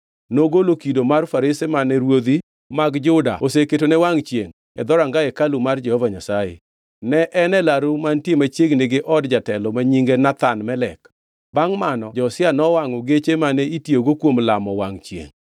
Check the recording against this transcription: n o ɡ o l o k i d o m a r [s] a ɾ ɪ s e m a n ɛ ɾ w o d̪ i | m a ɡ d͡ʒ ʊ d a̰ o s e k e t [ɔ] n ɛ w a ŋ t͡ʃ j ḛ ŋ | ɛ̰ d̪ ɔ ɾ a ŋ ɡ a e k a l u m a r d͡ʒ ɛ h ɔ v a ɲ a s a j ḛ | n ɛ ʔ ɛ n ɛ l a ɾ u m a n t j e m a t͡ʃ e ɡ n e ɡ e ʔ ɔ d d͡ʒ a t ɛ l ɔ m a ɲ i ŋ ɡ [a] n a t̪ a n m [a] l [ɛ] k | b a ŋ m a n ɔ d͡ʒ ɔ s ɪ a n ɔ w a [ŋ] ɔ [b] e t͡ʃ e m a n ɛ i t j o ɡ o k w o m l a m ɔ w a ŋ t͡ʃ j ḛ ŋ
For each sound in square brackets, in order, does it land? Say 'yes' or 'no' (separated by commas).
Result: no, no, no, no, yes, yes, no